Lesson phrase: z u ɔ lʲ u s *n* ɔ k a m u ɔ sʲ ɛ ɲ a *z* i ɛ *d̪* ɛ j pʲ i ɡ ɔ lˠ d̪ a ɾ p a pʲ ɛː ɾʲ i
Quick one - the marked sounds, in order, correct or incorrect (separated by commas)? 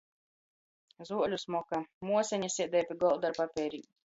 incorrect, incorrect, correct